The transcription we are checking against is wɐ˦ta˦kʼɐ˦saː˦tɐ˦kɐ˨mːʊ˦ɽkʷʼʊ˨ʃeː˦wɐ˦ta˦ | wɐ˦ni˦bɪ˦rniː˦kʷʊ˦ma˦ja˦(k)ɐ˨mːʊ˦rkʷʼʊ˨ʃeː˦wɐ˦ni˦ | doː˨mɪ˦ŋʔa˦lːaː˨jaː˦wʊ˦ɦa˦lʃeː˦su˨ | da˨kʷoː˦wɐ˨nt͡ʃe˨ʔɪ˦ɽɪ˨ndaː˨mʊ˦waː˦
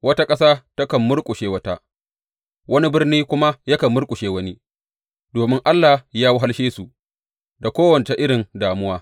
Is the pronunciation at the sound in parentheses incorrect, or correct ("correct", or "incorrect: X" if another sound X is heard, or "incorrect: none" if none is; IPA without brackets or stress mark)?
correct